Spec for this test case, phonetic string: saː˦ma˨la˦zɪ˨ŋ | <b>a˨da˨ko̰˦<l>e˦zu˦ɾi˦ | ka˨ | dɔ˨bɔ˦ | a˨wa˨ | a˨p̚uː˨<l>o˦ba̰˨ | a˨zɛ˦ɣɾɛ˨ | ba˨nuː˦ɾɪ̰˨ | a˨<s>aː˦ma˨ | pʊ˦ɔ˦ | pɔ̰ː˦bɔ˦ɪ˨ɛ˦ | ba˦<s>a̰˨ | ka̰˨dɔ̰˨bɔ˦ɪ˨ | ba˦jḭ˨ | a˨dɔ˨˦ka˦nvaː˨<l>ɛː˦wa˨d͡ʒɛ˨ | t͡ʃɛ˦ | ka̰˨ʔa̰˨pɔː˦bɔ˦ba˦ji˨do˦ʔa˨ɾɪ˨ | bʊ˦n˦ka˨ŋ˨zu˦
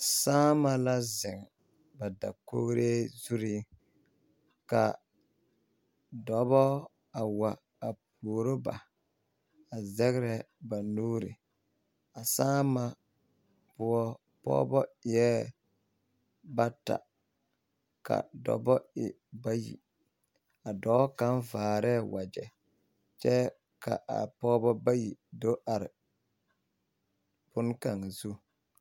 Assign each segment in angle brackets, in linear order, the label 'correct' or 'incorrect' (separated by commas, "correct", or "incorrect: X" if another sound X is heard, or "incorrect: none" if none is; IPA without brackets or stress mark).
correct, incorrect: ɾ, incorrect: ɾ, correct, incorrect: t, incorrect: ɾ